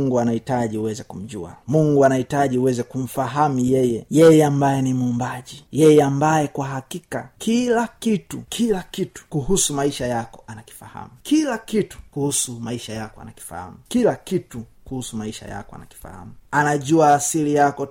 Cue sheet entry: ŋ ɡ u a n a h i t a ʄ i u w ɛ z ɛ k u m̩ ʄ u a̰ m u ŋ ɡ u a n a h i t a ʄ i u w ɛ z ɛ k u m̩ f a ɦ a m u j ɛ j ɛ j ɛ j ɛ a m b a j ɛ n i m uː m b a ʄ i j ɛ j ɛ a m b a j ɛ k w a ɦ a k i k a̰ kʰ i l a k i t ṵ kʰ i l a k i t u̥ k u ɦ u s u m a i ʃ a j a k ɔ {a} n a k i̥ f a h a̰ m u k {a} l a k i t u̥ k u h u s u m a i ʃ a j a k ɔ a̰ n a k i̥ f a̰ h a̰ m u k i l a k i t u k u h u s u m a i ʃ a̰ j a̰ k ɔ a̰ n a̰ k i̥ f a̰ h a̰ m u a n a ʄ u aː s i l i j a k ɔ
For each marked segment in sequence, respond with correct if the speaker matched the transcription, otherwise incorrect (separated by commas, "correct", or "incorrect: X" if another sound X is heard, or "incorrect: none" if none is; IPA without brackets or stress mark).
correct, incorrect: i